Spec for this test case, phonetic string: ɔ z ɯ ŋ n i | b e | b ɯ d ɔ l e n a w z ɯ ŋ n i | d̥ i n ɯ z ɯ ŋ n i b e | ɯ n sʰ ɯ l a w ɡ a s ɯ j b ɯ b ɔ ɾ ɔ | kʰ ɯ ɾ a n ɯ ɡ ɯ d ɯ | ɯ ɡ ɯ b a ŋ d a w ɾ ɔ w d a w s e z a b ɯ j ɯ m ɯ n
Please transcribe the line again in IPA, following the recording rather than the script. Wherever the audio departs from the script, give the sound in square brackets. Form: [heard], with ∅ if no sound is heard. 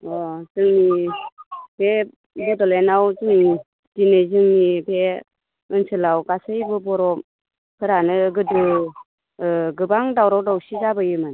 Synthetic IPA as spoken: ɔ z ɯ ŋ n i | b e | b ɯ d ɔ l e n a w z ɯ ŋ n i | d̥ i n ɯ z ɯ ŋ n i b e | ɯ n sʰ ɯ l a w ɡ a s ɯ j b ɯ b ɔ ɾ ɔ | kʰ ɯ ɾ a n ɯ ɡ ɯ d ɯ | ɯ ɡ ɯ b a ŋ d a w ɾ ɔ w d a w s [i] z a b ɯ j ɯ m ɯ n

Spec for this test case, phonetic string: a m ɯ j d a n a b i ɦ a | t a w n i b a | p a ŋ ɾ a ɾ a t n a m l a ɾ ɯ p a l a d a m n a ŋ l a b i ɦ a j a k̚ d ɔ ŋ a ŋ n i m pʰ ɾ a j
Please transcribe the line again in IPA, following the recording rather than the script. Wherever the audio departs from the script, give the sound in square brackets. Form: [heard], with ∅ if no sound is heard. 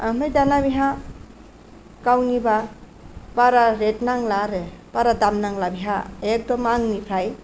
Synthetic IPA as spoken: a m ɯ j d a n a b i ɦ a | [k] a w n i b a | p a [∅] ɾ a ɾ [e] t n a [ŋ] l a ɾ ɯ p a [ɾ] a d a m n a ŋ l a b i ɦ a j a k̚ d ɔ [m] a ŋ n i [∅] pʰ ɾ a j

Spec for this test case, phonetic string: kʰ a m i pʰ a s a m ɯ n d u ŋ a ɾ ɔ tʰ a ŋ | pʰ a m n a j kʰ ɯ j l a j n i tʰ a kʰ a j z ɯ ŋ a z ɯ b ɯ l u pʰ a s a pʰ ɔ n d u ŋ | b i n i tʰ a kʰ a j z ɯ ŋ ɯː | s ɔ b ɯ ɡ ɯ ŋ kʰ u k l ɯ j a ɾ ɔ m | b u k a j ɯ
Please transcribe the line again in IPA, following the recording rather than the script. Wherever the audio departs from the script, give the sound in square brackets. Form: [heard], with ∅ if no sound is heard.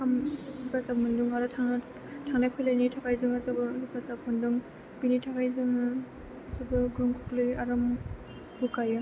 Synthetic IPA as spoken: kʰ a m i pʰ a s a m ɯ n d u ŋ a ɾ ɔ tʰ a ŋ | [tʰ] a [ŋ] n a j [pʰ] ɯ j l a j n i tʰ a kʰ a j z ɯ ŋ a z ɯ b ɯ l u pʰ a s a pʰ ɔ n d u ŋ | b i n i tʰ a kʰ a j z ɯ ŋ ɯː | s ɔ b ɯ ɡ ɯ ŋ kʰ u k l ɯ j a ɾ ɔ m | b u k a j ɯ

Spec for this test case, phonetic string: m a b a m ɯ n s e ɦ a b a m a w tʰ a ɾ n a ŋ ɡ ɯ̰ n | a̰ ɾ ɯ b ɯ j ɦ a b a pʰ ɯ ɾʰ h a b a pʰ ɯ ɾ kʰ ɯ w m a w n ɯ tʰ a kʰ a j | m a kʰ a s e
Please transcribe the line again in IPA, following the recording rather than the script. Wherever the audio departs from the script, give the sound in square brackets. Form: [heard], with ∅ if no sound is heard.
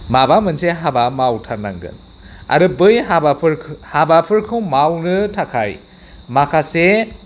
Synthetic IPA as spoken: m a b a m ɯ n s e ɦ a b a m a w tʰ a ɾ n a ŋ ɡ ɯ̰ n | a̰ ɾ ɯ b ɯ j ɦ a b a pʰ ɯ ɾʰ h a b a pʰ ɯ ɾ kʰ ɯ w m a w n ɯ tʰ a kʰ a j | m a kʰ a s e

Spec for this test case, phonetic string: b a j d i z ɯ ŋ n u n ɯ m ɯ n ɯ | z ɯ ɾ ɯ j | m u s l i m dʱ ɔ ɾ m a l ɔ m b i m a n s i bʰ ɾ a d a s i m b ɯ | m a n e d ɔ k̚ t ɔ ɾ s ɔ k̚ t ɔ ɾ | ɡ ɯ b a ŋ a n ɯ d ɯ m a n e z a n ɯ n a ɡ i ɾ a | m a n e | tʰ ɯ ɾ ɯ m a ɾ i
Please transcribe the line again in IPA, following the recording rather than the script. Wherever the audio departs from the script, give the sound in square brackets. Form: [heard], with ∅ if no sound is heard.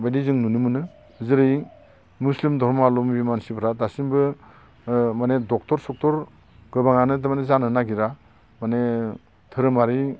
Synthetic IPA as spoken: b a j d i z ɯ ŋ n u n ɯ m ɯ n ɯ | z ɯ ɾ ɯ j | m u s l i m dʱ ɔ ɾ m a l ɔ m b i m a n s i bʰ ɾ a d a s i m b ɯ | m a n e d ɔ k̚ t ɔ ɾ s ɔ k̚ t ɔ ɾ | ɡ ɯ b a ŋ a n ɯ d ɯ m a n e z a n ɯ n a ɡ i ɾ a | m a n e | tʰ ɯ ɾ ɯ m a ɾ i

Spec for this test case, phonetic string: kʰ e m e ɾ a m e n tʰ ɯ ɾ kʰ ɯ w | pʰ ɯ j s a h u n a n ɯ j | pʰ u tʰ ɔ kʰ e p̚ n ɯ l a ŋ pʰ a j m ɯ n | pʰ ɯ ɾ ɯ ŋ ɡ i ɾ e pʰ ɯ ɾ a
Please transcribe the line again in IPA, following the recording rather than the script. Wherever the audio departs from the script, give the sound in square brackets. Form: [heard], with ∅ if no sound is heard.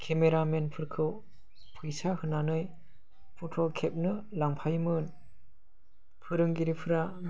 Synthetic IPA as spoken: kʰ e m e ɾ a m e n [pʰ] ɯ ɾ kʰ ɯ w | pʰ ɯ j s a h [ɯ] n a n ɯ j | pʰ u tʰ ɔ kʰ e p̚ n ɯ l a ŋ pʰ a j m ɯ n | pʰ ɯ ɾ ɯ ŋ ɡ i ɾ [i] pʰ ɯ ɾ a

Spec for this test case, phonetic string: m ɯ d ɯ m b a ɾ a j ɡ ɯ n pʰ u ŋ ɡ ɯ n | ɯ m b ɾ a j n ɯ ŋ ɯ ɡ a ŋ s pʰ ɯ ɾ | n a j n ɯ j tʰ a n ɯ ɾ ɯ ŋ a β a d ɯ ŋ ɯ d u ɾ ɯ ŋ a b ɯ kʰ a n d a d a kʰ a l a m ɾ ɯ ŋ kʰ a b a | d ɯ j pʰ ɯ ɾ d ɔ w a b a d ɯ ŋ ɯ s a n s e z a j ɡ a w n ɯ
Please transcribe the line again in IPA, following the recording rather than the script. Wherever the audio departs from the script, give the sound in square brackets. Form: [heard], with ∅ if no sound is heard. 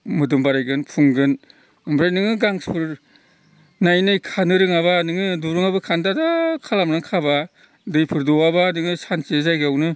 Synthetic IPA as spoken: m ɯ d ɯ m b a ɾ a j ɡ ɯ n pʰ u ŋ ɡ ɯ n | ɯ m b ɾ a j n ɯ ŋ ɯ ɡ a ŋ s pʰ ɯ ɾ | n a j n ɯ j [kʰ] a n ɯ ɾ ɯ ŋ a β a [n] ɯ ŋ ɯ d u ɾ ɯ ŋ a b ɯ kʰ a n d a d a kʰ a l a m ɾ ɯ ŋ kʰ a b a | d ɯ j pʰ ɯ ɾ d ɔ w a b a [n] ɯ ŋ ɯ s a n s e z a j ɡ a w n ɯ

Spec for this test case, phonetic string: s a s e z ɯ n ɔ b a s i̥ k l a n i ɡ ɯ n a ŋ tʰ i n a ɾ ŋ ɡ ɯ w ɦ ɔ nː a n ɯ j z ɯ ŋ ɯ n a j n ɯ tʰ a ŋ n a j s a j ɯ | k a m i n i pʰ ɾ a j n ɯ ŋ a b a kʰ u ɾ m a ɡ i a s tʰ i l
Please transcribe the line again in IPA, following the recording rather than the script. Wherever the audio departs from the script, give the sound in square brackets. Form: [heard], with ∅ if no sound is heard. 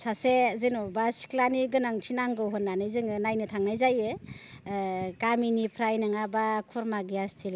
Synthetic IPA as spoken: s a s e z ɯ n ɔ b a s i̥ k l a n i ɡ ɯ n a ŋ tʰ i n a [∅] ŋ ɡ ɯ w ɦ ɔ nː a n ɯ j z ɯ ŋ ɯ n a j n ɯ tʰ a ŋ n a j [z] a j ɯ | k a m i n i pʰ ɾ a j n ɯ ŋ a b a kʰ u ɾ m a ɡ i a s tʰ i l

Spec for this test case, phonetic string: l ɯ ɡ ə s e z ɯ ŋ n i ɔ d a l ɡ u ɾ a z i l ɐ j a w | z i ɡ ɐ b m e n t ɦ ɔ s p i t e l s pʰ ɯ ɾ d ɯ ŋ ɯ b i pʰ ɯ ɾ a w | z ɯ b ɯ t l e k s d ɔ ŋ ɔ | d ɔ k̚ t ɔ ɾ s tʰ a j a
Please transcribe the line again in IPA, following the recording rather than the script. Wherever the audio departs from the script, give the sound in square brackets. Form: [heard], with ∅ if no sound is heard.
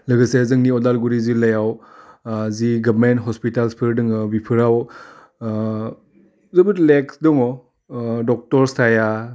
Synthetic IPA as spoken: l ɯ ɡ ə s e z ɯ ŋ n i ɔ d a l ɡ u ɾ [i] z i l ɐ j a w | z i ɡ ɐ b m e n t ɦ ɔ s p i t [a] l s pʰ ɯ ɾ d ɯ ŋ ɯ b i pʰ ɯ ɾ a w | z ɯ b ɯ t l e k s d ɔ ŋ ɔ | d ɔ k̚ t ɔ ɾ s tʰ a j a

